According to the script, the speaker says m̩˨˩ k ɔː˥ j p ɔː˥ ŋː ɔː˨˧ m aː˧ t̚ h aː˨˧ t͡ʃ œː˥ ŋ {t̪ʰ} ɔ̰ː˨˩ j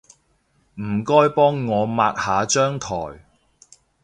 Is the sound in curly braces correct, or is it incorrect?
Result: correct